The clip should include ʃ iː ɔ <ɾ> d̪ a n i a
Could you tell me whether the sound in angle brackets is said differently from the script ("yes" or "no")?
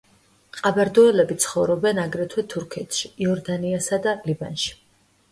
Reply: no